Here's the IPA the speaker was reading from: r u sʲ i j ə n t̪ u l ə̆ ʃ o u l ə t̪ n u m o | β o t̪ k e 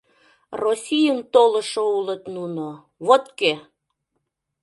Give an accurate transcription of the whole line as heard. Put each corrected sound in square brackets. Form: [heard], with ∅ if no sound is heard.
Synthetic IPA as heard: r [o] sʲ i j ə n t̪ [o] l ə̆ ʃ o u l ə t̪ n u [n] o | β o t̪ k e